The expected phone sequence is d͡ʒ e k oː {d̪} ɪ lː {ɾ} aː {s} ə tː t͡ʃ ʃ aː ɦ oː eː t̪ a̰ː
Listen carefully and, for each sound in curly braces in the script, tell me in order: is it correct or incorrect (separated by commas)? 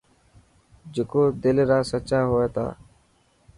correct, correct, correct